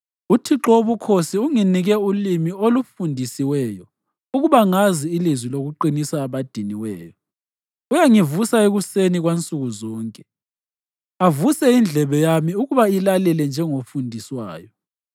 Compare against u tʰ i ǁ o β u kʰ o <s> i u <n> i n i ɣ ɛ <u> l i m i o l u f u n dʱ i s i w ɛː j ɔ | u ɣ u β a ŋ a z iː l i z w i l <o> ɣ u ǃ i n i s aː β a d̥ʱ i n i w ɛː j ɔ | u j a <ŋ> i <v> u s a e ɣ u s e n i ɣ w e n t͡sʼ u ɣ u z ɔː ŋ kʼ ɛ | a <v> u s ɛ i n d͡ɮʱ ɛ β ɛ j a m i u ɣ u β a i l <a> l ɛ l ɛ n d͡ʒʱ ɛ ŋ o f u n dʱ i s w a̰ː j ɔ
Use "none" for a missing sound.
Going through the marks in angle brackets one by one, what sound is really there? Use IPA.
s, ŋ, u, o, ŋ, v, v, a

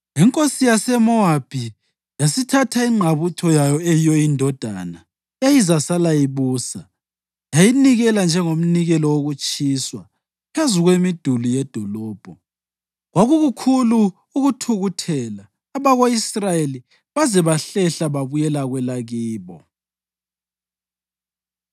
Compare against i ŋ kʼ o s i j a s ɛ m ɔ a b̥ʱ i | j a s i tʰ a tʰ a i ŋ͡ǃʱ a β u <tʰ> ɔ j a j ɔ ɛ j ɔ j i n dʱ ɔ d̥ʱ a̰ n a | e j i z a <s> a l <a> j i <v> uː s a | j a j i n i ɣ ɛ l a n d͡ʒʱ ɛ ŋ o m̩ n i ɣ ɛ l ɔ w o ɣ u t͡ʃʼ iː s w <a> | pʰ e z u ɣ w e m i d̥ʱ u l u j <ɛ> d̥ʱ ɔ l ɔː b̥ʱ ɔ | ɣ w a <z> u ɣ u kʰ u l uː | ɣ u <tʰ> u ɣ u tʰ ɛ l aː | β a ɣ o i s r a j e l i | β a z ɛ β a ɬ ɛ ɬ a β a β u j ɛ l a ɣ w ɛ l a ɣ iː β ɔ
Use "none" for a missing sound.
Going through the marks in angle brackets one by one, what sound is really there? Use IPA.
tʰ, s, a, β, a, ɛ, ɣ, tʰ

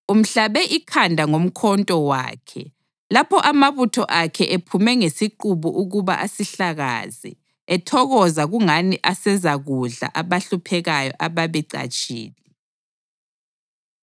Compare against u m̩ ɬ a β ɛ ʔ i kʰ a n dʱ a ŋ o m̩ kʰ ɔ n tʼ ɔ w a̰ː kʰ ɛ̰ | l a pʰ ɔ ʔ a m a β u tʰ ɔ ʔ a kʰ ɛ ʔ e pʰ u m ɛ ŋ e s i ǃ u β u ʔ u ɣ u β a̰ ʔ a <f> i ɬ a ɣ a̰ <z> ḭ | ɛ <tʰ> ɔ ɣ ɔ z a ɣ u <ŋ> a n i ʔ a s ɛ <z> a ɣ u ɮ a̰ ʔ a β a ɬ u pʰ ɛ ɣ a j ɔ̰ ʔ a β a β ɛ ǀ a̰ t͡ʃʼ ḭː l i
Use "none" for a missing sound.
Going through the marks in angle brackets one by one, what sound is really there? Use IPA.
s, z, tʰ, ŋ, z

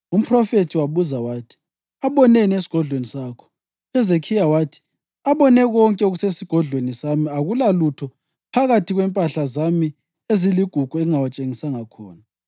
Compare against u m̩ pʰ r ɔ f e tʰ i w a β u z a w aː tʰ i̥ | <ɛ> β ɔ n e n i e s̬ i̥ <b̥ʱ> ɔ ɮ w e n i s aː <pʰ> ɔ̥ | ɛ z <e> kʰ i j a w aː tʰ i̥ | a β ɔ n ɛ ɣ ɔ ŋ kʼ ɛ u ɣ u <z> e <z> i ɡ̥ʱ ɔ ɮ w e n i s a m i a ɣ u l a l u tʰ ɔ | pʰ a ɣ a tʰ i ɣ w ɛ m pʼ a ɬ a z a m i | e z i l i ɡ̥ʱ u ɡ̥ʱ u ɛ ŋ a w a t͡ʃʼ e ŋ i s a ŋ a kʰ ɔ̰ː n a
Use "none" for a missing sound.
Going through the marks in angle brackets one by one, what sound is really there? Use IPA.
a, ɡ̥ʱ, kʰ, e, s, s

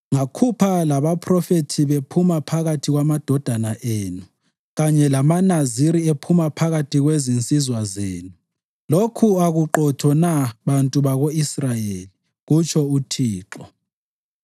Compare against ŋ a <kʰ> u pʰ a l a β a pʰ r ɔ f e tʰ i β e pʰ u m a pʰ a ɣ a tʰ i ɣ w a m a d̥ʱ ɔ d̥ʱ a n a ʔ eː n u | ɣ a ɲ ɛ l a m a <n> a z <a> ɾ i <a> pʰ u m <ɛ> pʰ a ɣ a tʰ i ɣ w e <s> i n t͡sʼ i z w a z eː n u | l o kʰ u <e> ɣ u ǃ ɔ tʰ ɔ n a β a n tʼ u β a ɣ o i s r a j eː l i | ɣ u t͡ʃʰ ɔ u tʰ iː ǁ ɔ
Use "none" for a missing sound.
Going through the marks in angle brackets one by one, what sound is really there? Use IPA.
kʰ, n, i, e, a, z, a

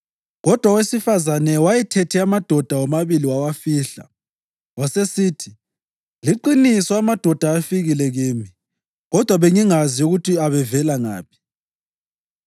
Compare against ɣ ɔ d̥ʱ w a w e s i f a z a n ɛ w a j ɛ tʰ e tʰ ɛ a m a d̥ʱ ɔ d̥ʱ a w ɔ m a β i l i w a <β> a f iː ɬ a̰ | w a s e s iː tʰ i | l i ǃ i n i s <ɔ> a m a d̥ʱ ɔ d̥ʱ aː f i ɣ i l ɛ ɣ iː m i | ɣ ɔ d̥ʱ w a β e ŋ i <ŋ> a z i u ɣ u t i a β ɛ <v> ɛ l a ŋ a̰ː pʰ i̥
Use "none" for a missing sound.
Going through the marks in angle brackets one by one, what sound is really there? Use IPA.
w, ɔ, ŋ, v

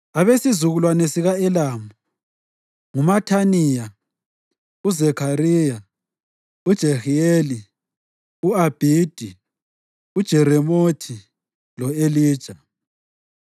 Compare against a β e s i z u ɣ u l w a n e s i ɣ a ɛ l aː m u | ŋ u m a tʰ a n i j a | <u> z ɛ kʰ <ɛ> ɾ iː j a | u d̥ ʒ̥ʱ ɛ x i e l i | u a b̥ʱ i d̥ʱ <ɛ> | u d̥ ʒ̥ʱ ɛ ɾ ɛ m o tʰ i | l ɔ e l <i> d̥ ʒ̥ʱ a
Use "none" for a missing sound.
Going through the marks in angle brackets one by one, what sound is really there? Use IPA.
u, a, i, iː

